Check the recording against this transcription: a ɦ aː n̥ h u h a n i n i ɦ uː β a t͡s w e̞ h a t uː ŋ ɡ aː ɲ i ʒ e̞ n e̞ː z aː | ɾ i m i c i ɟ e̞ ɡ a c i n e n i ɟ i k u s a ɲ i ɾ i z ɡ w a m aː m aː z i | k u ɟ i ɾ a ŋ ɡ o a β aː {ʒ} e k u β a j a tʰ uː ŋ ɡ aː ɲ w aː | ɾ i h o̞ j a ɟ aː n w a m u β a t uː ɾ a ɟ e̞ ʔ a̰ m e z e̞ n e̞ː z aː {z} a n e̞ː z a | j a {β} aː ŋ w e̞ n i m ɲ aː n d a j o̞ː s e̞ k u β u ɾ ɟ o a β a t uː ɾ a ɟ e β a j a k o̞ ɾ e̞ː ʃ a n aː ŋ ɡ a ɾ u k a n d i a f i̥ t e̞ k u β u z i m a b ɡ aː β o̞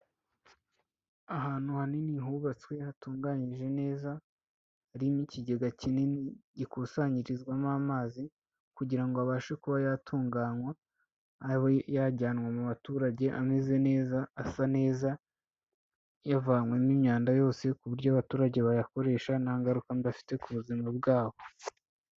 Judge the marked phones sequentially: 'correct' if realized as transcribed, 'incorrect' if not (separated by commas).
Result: incorrect, incorrect, incorrect